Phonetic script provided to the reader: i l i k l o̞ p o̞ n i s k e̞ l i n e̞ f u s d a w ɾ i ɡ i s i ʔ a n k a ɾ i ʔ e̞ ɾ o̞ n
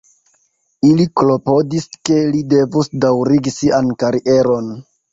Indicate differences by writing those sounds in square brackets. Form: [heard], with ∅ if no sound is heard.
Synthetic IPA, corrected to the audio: i l i k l o̞ p o̞ [d] i s k e̞ l i [d] e̞ [v] u s d a w ɾ i ɡ i s i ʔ a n k a ɾ i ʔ e̞ ɾ o̞ n